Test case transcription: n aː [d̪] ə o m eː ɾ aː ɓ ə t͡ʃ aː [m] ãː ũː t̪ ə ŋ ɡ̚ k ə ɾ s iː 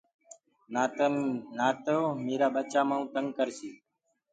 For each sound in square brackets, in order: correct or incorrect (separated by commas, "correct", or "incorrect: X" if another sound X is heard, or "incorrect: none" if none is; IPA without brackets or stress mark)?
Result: incorrect: t̪, correct